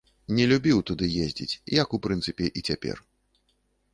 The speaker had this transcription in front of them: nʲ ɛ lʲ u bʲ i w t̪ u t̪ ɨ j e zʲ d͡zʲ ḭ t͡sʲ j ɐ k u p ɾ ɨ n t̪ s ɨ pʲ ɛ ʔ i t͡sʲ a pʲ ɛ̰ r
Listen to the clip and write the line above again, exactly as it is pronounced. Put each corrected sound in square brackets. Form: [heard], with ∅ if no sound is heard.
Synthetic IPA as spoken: nʲ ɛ lʲ u bʲ i w t̪ u [d̪] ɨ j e zʲ d͡zʲ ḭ t͡sʲ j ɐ k u p ɾ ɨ n t̪ s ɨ pʲ ɛ ʔ i t͡sʲ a pʲ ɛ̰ r